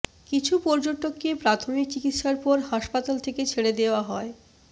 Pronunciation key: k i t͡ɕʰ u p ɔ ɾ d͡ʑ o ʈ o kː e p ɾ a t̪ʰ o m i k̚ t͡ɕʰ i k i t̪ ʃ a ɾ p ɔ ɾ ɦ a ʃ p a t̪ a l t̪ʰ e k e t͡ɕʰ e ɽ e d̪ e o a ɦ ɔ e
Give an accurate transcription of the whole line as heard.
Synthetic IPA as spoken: k i t͡ɕʰ u p ɔ ɾ d͡ʑ o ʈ o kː e p ɾ a t̪ʰ o m i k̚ t͡ɕ i k i t̪ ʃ a ɾ p ɔ ɾ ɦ a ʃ p a t̪ a l t̪ʰ e k e t͡ɕʰ e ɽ e d̪ e o a ɦ ɔ e

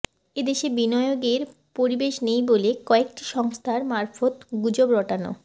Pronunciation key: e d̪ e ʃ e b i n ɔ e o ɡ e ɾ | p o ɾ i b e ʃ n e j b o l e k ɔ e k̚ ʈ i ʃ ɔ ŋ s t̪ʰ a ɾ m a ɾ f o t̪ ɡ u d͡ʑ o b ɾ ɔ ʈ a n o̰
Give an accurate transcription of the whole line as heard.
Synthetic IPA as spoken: e d̪ e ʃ e b i n ɔ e o ɡ e ɾ | p o ɾ i b e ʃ n e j b o l e k ɔ e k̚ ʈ i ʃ ɔ ŋ s t̪ʰ a ɾ m a ɾ f o t̪ ɡ u d͡ʑ o b ɾ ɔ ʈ a n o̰

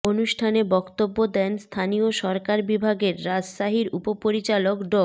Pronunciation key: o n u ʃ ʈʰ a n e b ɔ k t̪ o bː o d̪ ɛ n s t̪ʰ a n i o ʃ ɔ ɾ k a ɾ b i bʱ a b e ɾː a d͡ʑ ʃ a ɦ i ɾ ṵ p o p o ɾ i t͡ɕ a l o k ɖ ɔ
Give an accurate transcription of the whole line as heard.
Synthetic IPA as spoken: o n u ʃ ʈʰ a n e b ɔ k t̪ o bː o d̪ ɛ n s t̪ʰ a n i o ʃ ɔ ɾ k a ɾ b i bʱ a ɡ e ɾː a d͡ʑ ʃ a ɦ i ɾ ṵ p o p o ɾ i t͡ɕ a l o k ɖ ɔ

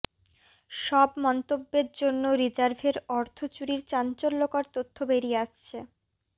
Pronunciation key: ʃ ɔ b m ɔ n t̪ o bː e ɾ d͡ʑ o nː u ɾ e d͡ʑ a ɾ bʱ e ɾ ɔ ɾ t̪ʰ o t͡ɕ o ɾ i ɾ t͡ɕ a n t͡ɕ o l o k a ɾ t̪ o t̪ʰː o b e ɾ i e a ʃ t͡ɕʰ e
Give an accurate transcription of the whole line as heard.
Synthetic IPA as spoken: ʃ ɔ b m ɔ n t̪ o bː e ɾ d͡ʑ o nː o ɾ i d͡ʑ a ɾ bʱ e ɾ ɔ ɾ t̪ʰ o t͡ɕ u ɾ i ɾ t͡ɕ a n t͡ɕ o lː o k a ɾ t̪ o t̪ʰː o b e ɾ i e a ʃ t͡ɕʰ e

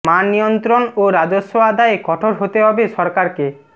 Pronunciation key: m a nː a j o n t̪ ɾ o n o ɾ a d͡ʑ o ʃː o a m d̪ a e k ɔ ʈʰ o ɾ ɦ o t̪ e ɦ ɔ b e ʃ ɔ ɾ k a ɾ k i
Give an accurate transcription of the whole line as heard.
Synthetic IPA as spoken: m a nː i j o n t̪ ɾ o n o ɾ a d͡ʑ o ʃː o a d̪ a e k ɔ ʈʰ o ɾ ɦ o t̪ e ɦ ɔ b e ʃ ɔ ɾ k a ɾ k e

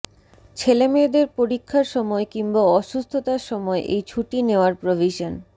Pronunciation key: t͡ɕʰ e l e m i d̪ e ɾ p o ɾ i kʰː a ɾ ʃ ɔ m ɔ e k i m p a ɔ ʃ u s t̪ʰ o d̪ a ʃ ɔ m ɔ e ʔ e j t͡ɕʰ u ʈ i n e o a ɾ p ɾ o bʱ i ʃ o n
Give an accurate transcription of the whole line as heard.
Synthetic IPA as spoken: t͡ɕʰ e l e m e d̪ e ɾ p o ɾ i kʰː a ɾ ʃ ɔ m ɔ e k i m b a ɔ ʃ u s t̪ʰ o t̪ a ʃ ɔ m ɔ e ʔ e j t͡ɕʰ u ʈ i n e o a ɾ p ɾ o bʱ i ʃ o n

